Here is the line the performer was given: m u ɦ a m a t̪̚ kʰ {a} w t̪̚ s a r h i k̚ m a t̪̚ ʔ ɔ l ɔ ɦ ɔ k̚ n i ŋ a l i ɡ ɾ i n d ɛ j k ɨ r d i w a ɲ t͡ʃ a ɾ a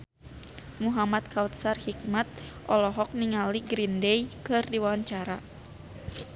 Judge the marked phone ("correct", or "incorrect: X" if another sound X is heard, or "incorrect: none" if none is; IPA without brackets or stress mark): correct